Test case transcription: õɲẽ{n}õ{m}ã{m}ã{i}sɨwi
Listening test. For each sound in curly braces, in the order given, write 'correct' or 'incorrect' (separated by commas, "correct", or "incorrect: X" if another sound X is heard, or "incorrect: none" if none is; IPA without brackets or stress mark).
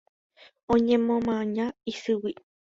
incorrect: m, correct, incorrect: ɲ, correct